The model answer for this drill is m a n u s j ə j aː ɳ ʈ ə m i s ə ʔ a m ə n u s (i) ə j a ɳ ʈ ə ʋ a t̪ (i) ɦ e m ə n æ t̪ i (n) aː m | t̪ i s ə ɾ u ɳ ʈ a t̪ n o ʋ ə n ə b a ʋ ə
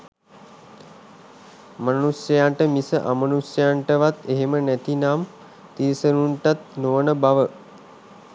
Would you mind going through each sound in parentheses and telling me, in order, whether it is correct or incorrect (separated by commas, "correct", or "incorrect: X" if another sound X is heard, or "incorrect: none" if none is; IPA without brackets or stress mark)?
incorrect: j, incorrect: e, correct